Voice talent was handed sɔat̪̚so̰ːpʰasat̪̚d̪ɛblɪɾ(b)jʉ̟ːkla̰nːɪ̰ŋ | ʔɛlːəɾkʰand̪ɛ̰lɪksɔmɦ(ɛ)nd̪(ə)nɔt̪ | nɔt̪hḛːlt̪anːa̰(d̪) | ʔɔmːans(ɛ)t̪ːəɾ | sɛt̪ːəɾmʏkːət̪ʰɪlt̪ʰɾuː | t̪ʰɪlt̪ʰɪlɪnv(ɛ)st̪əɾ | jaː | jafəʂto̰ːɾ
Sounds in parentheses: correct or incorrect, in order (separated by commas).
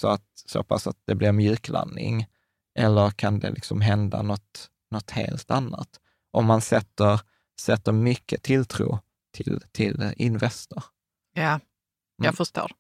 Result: incorrect, correct, incorrect, incorrect, correct, correct